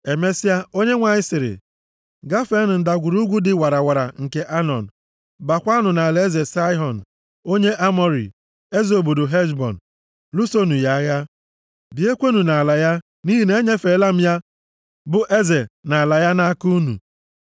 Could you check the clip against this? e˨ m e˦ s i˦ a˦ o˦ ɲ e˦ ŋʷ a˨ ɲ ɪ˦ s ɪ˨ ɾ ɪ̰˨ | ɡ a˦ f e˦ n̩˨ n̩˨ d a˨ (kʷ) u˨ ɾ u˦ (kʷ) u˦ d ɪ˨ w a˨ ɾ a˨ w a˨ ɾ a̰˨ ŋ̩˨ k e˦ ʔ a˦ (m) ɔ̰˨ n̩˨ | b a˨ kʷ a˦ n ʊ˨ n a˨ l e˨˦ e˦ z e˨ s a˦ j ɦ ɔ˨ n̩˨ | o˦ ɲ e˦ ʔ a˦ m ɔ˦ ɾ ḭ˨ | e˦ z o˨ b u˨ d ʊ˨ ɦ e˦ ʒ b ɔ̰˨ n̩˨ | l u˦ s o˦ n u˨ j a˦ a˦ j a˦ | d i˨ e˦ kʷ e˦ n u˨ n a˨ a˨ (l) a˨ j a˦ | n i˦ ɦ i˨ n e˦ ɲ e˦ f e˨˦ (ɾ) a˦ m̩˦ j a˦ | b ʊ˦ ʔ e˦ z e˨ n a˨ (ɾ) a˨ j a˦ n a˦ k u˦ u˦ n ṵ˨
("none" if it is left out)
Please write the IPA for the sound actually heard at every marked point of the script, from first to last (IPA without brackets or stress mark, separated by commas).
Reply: ɡʷ, ɡʷ, n, l, l, l